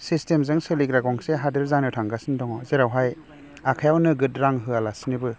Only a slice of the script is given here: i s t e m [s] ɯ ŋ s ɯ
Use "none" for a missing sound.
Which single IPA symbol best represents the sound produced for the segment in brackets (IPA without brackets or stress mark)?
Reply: z